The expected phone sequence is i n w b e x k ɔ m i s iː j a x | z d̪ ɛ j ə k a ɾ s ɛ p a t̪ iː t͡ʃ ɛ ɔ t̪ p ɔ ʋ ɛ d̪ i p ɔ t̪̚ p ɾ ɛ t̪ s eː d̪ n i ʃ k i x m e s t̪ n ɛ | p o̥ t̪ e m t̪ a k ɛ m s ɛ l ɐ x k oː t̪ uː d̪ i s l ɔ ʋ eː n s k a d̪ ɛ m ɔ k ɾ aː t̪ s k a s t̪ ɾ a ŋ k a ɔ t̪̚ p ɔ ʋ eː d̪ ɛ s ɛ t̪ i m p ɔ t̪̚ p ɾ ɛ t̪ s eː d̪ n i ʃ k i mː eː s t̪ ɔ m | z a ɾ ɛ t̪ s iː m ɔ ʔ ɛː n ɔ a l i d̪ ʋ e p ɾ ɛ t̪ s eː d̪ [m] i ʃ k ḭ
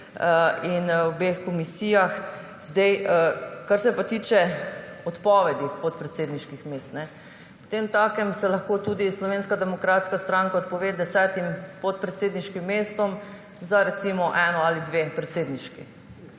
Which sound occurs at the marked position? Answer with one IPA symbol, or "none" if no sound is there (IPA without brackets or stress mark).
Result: n